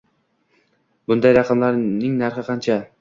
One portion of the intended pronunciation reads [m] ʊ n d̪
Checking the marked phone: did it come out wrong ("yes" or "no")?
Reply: yes